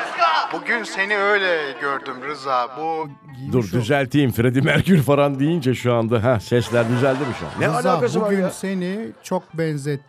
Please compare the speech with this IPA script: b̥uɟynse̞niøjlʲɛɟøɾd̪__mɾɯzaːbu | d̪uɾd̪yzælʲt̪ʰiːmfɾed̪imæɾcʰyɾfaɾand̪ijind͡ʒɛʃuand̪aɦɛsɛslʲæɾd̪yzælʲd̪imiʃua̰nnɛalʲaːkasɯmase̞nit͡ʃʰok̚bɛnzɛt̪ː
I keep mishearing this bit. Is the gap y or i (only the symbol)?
y